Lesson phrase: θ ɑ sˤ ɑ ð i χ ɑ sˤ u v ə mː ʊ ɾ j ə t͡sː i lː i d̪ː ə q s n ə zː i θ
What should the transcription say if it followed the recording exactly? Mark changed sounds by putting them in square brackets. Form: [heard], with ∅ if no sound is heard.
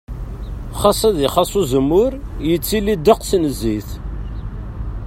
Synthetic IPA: [χ] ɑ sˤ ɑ ð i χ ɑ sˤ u [z] ə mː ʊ ɾ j ə t͡sː i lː i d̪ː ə q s n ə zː i θ